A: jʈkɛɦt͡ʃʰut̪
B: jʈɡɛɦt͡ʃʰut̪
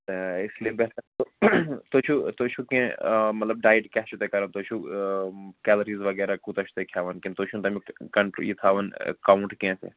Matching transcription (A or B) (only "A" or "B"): A